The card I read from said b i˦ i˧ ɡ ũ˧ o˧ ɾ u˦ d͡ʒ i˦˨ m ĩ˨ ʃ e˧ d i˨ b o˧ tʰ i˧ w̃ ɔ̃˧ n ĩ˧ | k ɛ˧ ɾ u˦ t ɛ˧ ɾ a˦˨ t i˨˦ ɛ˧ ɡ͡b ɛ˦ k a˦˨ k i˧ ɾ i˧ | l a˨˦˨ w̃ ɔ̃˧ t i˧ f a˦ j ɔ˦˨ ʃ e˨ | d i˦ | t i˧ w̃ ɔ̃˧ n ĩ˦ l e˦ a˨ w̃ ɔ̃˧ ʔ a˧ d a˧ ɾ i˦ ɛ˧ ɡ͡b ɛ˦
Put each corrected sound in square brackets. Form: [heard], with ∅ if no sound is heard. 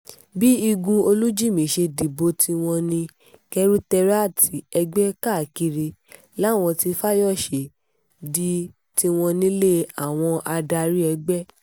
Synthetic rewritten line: b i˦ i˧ ɡ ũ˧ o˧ [l] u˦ d͡ʒ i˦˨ m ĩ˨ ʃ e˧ d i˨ b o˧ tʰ i˧ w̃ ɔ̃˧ n ĩ˧ | k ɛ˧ ɾ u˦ t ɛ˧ ɾ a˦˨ t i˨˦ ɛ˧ ɡ͡b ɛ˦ k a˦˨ k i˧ ɾ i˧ | l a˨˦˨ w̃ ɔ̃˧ t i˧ f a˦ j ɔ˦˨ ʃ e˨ | d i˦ | t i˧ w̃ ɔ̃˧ n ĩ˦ l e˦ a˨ w̃ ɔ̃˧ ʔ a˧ d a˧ ɾ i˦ ɛ˧ ɡ͡b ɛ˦